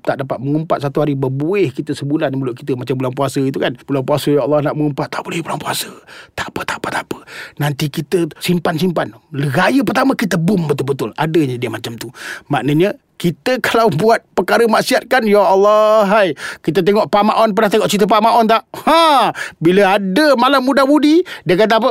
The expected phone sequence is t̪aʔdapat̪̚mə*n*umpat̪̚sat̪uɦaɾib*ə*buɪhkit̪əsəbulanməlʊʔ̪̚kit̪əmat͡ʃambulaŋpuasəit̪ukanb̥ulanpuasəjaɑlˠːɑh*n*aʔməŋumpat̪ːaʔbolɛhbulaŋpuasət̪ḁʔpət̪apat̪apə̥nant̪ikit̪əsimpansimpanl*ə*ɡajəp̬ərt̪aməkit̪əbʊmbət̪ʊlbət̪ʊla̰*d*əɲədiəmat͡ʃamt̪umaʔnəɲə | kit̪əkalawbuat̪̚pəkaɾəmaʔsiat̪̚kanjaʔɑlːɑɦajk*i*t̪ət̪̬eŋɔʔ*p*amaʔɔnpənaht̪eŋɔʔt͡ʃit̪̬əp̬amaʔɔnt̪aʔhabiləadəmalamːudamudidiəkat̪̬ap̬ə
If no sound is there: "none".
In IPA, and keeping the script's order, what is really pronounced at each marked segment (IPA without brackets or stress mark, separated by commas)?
ŋ, ə, n, ə, d, i, p